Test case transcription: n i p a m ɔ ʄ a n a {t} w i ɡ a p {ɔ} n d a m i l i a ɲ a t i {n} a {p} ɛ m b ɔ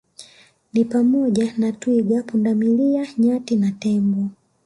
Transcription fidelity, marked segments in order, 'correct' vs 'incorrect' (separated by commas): correct, incorrect, correct, incorrect